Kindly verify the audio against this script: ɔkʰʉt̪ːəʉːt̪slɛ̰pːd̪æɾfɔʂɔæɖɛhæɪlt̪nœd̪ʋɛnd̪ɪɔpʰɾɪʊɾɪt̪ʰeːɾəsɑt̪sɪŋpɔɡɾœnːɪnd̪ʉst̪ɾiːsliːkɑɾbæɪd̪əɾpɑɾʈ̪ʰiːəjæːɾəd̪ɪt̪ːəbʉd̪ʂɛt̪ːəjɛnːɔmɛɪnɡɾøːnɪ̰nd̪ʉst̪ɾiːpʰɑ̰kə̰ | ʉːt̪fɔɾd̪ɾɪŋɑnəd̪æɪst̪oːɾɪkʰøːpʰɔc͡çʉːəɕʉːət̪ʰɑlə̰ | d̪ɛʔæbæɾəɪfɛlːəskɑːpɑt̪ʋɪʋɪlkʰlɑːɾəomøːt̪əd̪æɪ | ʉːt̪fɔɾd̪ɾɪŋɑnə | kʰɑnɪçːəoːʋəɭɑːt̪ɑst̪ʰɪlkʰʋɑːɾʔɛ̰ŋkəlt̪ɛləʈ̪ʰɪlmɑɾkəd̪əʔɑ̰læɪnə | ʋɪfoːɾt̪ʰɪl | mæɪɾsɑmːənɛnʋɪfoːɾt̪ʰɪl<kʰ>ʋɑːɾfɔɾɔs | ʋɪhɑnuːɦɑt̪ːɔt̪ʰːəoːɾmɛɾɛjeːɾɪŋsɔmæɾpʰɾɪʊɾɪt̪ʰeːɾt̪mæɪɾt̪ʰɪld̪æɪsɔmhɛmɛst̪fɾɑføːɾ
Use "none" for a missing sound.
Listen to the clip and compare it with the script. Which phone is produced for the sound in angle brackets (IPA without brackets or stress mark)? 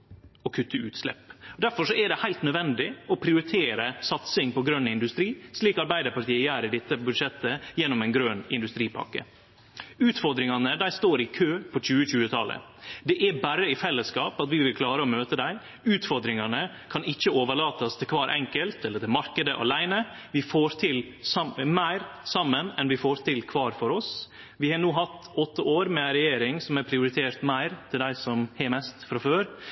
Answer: kʰ